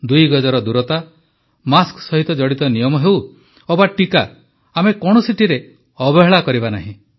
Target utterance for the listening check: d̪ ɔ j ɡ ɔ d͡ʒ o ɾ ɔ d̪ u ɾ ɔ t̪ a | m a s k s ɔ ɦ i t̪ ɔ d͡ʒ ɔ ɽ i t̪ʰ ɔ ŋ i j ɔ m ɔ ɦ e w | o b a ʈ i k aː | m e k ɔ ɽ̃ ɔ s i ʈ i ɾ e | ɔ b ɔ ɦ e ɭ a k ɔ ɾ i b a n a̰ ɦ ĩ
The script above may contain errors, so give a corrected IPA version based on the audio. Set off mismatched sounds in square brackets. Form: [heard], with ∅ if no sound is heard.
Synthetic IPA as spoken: d̪ [u] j ɡ ɔ d͡ʒ [ɔ] ɾ ɔ d̪ u ɾ ɔ t̪ a | m a s k s ɔ ɦ i t̪ ɔ d͡ʒ ɔ ɽ i [t̪] ɔ [n] i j ɔ m ɔ ɦ e w | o b a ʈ i k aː | m e k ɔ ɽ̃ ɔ s i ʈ i ɾ e | ɔ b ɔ ɦ e ɭ a k ɔ ɾ i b a n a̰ ɦ ĩ